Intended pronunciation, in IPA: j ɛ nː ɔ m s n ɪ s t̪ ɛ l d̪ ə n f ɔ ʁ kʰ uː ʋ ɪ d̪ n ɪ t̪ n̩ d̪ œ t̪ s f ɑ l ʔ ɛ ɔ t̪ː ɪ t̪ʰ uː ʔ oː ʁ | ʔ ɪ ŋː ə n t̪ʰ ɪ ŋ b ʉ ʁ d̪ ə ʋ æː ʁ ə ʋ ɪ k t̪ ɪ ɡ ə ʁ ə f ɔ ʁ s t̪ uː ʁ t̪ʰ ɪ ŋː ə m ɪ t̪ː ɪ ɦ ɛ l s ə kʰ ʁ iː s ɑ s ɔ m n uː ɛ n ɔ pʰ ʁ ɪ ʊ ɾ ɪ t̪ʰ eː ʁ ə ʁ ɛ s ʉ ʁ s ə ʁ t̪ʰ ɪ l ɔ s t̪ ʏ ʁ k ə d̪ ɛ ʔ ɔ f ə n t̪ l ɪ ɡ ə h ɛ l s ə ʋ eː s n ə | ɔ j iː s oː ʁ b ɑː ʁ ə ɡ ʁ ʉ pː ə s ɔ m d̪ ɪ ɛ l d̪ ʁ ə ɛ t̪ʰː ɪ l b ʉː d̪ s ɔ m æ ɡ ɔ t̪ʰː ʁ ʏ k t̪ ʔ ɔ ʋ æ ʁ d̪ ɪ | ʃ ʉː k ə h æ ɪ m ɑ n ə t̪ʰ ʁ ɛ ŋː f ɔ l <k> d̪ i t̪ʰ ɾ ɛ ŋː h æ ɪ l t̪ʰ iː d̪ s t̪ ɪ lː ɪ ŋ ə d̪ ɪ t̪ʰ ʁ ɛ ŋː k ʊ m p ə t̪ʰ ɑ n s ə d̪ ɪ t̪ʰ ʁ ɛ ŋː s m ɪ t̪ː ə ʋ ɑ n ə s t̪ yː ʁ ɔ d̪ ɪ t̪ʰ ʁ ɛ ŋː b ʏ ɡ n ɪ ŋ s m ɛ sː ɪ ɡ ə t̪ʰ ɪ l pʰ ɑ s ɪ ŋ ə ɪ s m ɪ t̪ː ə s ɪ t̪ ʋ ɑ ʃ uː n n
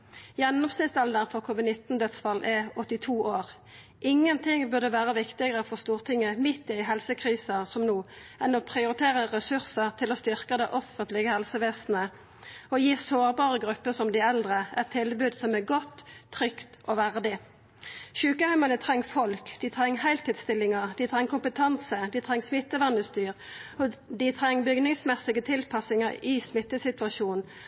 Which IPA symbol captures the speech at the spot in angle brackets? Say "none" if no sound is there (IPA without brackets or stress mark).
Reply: k